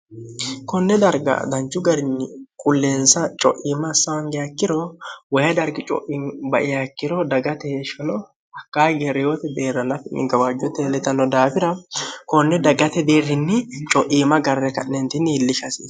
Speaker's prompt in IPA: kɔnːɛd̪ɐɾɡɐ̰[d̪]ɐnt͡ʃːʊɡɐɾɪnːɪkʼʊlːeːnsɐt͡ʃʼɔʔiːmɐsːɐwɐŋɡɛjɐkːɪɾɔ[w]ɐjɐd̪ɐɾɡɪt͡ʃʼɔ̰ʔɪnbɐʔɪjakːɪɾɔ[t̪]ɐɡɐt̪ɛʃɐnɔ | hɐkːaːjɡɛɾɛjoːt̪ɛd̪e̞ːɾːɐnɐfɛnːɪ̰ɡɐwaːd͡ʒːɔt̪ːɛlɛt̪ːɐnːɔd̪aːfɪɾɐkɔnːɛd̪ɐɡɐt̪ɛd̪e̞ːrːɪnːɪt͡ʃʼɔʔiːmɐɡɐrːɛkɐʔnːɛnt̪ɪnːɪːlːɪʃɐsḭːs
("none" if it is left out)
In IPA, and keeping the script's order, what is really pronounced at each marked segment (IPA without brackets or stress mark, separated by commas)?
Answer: d̪, w, d̪